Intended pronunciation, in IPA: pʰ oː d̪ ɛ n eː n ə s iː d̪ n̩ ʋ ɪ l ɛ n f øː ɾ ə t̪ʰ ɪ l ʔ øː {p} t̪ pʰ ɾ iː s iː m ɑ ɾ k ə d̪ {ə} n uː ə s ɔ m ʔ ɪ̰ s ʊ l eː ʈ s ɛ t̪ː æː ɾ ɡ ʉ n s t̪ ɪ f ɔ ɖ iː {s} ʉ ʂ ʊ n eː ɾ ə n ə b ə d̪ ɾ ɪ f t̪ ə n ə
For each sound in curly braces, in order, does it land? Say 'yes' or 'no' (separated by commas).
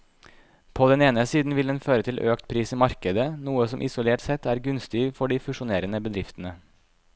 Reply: no, yes, no